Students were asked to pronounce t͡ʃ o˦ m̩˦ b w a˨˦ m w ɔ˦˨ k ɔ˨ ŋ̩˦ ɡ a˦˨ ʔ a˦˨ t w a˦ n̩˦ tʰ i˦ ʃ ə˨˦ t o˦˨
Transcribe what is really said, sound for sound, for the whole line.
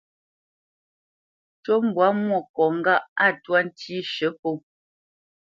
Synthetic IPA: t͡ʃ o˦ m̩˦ b w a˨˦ m w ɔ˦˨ k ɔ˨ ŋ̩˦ ɡ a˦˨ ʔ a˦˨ t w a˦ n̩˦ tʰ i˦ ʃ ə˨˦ p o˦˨